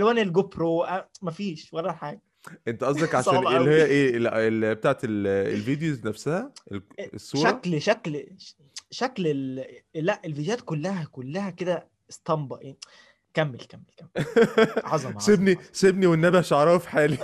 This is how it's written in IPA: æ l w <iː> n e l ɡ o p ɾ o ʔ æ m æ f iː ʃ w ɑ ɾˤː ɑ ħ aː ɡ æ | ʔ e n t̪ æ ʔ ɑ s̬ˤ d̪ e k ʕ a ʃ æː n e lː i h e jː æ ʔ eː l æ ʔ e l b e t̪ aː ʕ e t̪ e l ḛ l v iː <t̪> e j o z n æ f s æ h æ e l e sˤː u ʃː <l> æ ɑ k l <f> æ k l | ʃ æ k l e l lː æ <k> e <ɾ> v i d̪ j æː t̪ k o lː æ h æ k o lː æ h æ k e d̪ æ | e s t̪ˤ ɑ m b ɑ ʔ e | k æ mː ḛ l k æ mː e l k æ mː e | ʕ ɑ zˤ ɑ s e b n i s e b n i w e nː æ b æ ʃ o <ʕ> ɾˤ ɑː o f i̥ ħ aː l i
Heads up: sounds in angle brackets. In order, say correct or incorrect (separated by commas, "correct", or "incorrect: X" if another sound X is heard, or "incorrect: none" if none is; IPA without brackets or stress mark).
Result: incorrect: æː, incorrect: d̪, incorrect: ɾ, incorrect: ʃ, incorrect: ʔ, incorrect: l, correct